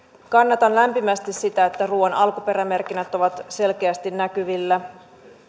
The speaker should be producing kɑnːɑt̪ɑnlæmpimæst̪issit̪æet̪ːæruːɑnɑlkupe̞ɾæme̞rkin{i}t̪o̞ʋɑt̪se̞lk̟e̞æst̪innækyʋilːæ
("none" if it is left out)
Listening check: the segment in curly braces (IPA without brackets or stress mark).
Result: æ